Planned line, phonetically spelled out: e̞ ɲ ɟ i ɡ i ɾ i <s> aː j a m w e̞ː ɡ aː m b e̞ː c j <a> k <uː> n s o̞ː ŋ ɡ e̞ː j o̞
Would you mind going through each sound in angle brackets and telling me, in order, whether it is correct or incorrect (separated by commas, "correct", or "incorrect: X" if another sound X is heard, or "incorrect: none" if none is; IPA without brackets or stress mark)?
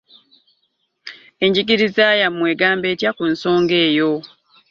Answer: incorrect: z, correct, incorrect: u